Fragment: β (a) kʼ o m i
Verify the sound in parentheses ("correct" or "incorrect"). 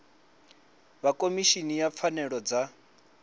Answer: correct